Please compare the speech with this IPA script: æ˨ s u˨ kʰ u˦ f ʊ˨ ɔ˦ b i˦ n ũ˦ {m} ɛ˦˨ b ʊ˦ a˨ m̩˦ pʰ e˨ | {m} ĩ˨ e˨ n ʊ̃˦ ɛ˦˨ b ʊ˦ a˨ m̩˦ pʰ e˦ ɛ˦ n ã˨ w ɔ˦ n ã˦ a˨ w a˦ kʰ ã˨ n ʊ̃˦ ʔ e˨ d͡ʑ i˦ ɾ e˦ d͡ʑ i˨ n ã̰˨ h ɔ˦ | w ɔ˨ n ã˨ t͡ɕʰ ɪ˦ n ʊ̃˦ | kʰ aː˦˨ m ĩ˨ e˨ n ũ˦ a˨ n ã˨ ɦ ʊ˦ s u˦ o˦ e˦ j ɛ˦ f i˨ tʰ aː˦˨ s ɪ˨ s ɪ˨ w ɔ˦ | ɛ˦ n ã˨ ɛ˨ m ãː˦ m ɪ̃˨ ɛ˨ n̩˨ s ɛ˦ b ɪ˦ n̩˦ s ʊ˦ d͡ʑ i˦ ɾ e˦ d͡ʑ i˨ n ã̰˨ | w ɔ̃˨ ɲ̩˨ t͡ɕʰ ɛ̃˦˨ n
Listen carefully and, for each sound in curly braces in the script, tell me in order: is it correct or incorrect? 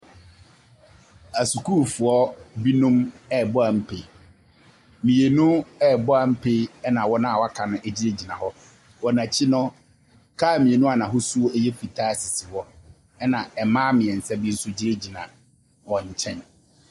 correct, correct

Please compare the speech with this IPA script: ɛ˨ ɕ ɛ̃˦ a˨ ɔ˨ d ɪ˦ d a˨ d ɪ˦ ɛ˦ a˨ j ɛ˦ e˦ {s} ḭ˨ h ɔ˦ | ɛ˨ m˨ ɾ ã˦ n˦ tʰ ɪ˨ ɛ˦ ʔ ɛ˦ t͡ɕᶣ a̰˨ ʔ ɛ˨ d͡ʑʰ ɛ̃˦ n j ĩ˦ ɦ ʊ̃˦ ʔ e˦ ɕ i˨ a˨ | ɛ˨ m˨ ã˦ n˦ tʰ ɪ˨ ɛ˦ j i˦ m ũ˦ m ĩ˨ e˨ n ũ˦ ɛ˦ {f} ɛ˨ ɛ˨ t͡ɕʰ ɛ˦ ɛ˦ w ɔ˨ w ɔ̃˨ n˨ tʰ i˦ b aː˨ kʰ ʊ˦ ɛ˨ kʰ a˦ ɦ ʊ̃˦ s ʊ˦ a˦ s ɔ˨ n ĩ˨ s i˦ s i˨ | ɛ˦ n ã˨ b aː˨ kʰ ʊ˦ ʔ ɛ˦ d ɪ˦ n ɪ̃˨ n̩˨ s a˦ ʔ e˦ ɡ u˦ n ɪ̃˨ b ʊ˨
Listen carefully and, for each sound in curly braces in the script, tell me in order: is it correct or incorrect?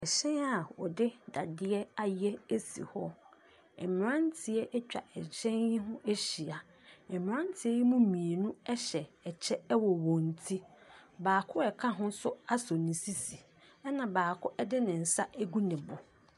correct, incorrect: ɕ

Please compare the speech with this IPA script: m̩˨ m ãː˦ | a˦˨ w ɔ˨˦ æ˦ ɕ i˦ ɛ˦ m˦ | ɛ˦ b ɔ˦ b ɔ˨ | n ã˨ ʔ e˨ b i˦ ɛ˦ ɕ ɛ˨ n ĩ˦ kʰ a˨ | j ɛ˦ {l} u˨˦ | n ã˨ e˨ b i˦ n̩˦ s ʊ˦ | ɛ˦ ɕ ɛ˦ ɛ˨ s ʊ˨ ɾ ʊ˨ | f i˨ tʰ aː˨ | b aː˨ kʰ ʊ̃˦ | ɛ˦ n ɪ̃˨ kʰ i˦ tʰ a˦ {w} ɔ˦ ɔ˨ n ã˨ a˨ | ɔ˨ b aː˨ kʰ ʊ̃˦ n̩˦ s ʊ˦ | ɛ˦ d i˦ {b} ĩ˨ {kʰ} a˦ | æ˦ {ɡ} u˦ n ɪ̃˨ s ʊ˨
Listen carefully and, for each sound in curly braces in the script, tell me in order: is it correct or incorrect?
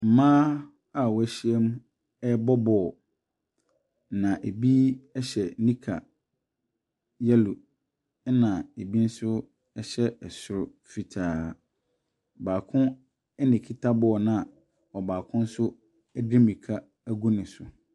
correct, incorrect: b, incorrect: m, correct, correct

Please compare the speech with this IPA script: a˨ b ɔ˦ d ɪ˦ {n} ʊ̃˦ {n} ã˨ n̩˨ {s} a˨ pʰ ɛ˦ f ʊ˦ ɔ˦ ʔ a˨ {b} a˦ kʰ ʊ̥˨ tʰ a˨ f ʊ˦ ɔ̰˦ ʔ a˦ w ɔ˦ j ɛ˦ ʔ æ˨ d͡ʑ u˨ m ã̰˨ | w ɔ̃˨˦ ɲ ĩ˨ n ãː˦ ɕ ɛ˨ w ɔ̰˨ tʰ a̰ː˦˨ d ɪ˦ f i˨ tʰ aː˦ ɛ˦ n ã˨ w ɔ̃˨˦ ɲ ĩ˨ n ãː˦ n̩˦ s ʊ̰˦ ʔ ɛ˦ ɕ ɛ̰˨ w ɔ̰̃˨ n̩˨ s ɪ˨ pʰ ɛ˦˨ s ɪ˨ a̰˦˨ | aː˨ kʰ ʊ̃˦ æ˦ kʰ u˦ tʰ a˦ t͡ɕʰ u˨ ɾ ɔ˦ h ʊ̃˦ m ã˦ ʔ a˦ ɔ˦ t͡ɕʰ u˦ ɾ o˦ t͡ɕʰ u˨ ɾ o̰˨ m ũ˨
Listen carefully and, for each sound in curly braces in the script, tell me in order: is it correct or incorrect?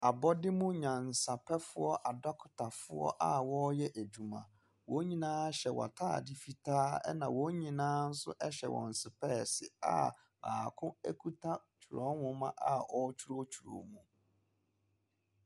incorrect: m, incorrect: ɲ, correct, incorrect: d

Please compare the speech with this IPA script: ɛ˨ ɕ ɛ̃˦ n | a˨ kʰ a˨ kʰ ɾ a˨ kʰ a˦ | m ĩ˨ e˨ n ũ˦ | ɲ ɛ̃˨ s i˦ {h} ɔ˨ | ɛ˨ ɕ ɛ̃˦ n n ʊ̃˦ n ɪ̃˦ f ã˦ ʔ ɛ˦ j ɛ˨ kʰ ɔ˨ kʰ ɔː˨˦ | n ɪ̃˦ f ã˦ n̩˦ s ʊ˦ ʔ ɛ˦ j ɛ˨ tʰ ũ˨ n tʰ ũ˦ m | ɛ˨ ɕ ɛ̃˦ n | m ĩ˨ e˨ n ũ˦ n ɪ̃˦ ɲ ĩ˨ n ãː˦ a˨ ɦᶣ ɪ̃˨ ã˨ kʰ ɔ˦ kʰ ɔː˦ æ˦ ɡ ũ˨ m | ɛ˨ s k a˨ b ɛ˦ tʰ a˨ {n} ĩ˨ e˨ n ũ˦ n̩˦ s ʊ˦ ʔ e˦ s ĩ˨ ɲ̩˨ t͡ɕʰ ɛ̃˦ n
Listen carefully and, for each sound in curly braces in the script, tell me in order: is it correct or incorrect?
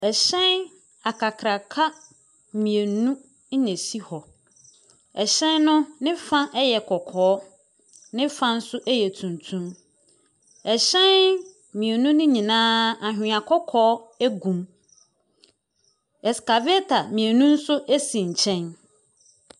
correct, incorrect: m

